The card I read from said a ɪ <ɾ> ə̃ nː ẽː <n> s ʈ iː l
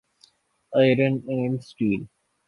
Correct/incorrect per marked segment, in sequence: correct, incorrect

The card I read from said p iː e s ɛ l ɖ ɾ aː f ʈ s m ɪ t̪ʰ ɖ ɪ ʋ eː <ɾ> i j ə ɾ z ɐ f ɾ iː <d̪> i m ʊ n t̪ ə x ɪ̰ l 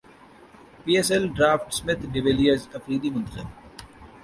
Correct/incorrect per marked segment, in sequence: incorrect, correct

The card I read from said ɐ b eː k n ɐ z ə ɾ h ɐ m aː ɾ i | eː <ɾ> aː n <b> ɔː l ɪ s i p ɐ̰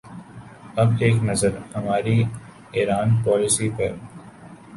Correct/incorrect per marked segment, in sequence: correct, incorrect

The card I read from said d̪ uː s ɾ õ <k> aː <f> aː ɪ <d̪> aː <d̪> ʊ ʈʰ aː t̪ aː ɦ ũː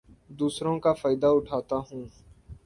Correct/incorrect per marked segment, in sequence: correct, correct, correct, incorrect

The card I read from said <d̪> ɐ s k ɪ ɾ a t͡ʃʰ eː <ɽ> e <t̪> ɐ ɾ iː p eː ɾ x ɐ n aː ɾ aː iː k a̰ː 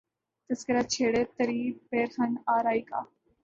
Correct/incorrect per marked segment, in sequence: incorrect, correct, correct

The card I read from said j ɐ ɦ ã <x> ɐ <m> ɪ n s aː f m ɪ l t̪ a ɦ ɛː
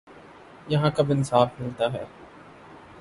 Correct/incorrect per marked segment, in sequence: incorrect, incorrect

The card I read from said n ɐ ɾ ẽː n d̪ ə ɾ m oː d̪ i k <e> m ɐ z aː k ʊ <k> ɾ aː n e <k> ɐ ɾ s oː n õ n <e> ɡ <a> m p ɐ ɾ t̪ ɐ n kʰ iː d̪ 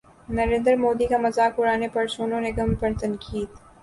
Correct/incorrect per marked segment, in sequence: incorrect, incorrect, incorrect, correct, incorrect

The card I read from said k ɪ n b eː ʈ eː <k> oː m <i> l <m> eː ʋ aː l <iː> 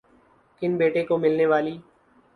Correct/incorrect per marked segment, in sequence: correct, incorrect, incorrect, correct

